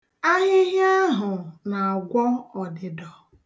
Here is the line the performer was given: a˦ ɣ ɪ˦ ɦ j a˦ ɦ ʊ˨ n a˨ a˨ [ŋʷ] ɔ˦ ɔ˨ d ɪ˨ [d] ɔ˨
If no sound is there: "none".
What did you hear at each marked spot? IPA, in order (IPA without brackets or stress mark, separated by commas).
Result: ɡʷ, d